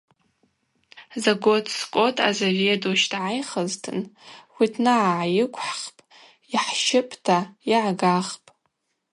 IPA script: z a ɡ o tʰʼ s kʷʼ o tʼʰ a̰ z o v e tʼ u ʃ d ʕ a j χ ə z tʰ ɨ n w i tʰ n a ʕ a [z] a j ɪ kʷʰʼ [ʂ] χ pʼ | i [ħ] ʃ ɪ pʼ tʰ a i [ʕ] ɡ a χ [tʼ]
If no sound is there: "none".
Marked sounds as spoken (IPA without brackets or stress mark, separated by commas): ʕ, ħ, ħ, ʕ, pʼ